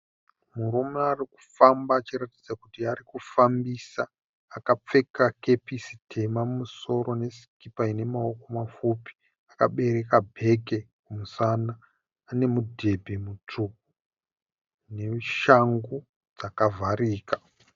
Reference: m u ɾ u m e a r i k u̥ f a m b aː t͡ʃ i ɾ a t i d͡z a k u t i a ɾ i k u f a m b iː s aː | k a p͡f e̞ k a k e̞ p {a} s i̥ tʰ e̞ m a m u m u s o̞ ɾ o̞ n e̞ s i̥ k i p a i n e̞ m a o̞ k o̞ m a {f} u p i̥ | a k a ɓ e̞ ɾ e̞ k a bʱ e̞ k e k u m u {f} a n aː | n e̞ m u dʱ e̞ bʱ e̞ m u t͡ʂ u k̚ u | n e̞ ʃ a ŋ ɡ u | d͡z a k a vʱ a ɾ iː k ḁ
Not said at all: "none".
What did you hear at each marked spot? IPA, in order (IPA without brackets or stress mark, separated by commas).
i, f, s